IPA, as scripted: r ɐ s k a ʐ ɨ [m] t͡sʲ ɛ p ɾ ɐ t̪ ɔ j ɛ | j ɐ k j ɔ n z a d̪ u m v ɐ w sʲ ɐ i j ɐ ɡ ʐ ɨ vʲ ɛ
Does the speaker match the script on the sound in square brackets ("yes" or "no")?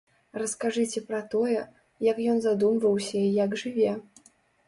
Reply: no